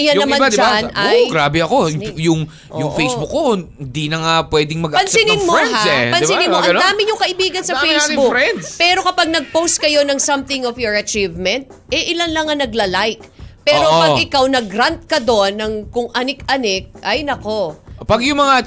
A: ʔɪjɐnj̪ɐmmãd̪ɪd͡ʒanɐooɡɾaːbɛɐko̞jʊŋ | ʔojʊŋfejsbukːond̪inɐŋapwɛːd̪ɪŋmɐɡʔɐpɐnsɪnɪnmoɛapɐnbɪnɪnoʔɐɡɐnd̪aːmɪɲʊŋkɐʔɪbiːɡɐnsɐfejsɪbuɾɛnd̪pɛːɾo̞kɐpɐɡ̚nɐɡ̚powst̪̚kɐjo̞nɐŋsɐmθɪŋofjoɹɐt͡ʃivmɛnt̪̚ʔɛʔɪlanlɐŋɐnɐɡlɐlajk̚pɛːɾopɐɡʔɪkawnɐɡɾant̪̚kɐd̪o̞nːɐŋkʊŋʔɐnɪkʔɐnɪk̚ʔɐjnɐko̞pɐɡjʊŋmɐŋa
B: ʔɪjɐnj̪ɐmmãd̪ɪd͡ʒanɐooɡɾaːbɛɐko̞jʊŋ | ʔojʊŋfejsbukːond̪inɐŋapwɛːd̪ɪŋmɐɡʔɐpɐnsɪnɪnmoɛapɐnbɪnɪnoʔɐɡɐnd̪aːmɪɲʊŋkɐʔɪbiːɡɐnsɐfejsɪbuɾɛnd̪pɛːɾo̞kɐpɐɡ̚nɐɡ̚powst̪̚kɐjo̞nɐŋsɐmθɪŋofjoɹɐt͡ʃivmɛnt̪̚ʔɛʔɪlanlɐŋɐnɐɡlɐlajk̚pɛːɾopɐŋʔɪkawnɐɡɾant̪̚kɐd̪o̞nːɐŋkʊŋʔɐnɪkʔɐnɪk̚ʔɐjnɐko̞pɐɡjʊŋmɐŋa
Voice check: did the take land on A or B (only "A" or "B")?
A